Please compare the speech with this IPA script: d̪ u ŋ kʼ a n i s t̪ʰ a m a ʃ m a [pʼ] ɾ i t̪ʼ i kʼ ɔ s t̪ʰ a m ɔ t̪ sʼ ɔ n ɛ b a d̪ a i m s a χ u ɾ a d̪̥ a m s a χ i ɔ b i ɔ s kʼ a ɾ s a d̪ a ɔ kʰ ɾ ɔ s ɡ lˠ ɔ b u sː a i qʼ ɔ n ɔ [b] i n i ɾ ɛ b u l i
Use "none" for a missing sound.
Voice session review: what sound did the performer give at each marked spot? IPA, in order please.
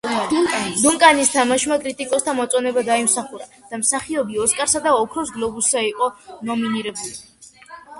kʼ, m

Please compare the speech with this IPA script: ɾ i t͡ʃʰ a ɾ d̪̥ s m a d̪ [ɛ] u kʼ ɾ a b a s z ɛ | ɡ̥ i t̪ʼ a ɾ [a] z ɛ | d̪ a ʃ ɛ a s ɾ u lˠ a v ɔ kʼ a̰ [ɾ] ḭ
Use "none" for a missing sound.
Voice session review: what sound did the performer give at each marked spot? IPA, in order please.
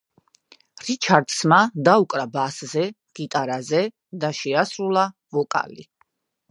a, a, l

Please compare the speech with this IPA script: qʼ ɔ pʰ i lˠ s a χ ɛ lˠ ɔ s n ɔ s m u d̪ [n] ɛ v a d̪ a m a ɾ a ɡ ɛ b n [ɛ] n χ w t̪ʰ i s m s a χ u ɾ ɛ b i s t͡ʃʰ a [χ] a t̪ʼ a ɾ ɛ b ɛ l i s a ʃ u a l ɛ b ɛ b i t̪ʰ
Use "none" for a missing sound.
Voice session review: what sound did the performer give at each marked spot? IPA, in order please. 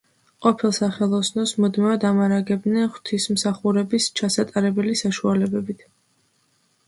m, ɛ, s

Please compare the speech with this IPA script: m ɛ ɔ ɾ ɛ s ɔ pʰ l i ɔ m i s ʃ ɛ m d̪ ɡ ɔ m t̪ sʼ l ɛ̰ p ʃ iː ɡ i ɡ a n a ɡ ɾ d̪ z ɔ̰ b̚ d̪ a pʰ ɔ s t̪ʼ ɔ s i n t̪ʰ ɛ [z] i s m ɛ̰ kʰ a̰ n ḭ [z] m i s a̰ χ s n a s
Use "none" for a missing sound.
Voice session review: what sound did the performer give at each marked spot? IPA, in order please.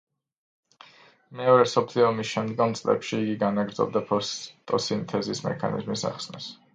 z, z

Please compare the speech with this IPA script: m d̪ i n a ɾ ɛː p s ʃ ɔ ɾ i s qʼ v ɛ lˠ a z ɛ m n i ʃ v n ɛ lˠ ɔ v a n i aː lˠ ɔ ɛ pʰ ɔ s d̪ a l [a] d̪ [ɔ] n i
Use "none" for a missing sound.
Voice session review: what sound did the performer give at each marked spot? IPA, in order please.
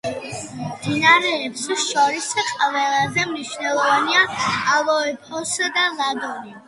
a, ɔ

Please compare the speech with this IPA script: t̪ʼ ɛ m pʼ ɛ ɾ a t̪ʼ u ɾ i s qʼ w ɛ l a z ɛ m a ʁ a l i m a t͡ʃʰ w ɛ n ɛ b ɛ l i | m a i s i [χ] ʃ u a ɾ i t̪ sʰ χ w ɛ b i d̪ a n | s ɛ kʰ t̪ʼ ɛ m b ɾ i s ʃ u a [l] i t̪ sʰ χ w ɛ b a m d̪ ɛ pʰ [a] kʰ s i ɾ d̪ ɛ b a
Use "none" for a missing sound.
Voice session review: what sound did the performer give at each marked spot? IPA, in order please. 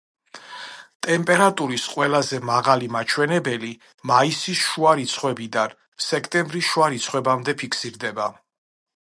s, ɾ, i

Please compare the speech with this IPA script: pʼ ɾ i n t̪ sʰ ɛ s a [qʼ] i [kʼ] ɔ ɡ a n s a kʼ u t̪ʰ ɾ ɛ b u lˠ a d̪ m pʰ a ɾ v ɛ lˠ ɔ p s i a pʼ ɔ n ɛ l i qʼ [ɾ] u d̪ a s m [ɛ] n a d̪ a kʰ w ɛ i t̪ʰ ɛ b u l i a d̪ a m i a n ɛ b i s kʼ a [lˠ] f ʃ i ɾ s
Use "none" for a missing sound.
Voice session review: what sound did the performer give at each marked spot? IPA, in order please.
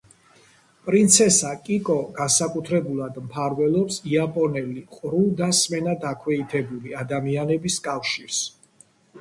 kʼ, kʼ, ɾ, ɛ, none

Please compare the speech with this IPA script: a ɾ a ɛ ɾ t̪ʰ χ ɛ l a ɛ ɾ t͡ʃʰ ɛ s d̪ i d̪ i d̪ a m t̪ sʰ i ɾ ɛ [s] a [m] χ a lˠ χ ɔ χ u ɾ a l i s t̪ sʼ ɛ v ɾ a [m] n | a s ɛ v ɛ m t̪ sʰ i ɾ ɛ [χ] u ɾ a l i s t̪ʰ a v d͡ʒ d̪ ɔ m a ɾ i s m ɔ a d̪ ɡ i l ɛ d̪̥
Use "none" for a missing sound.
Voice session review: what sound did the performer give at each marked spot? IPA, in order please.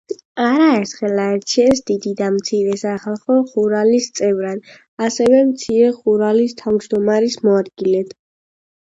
s, none, none, χ

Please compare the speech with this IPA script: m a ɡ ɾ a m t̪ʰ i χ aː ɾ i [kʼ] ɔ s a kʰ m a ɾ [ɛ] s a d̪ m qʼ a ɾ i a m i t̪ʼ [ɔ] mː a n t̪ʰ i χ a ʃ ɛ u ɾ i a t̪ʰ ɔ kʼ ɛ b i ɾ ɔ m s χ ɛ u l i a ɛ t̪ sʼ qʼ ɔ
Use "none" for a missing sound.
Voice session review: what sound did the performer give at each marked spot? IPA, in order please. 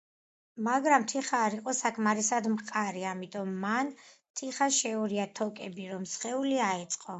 qʼ, i, ɔ

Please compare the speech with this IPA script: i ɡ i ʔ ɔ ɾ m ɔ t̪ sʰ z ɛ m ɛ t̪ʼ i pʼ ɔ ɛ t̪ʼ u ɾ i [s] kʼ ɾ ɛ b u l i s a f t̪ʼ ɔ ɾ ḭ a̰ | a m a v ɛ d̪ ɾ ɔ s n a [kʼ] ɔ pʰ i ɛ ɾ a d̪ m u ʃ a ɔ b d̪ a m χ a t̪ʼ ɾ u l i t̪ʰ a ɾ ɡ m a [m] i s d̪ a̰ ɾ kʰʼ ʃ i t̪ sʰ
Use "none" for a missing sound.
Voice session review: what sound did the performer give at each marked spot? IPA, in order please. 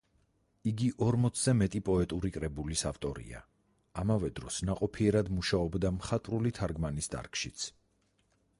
none, qʼ, n

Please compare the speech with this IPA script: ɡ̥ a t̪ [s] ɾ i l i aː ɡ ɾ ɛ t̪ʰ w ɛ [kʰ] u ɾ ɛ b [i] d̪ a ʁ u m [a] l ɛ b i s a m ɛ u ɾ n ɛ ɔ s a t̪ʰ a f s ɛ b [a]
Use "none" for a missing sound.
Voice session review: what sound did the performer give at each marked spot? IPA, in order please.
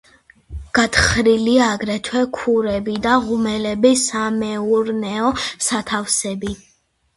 χ, kʰ, i, ɛ, i

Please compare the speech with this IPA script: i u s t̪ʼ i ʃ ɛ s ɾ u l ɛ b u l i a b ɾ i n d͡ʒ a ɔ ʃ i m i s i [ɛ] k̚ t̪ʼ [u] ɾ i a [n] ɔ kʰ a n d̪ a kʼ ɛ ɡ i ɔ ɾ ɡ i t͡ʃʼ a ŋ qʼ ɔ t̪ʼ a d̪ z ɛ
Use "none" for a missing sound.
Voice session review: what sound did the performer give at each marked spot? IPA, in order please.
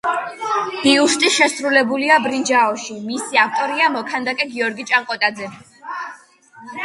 a, ɔ, m

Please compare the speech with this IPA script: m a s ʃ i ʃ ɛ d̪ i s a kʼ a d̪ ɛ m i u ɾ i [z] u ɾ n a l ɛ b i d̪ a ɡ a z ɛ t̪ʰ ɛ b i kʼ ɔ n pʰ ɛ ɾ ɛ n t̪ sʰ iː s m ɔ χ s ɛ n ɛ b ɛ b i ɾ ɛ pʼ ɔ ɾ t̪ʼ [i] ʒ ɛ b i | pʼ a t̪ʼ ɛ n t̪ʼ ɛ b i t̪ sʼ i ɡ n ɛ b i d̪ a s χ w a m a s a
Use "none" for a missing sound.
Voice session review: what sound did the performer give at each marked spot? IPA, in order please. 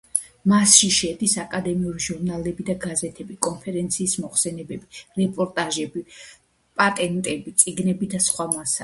ʒ, a

